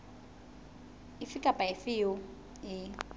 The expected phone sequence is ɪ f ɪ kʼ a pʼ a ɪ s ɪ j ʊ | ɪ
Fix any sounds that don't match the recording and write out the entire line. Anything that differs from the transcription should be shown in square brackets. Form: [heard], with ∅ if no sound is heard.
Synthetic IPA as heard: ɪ f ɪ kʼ a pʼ a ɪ [f] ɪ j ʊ | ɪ